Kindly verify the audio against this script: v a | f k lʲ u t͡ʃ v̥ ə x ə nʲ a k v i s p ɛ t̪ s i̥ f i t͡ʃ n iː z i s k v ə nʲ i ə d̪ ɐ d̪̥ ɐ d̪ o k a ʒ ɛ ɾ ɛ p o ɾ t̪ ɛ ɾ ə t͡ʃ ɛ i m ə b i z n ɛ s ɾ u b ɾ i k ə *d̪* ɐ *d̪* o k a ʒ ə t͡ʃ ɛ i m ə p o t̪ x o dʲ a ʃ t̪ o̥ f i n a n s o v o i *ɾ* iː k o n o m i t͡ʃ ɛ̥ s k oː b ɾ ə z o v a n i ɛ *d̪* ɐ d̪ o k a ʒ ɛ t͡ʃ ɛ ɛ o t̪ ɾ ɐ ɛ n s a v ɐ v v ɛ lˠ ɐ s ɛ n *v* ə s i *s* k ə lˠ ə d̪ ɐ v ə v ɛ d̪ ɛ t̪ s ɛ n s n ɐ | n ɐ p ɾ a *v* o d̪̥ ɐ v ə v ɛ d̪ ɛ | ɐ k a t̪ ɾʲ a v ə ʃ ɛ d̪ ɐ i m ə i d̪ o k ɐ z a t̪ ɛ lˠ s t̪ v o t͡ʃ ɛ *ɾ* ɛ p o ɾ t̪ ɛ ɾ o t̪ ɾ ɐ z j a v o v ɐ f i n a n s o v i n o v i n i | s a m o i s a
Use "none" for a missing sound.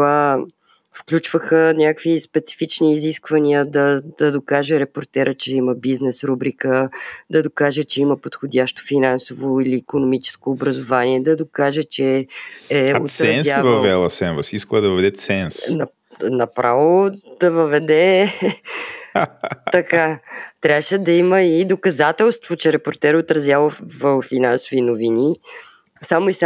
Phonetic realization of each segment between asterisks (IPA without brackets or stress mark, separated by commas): d̪, d̪, l, d̪, v, s, v, ɾ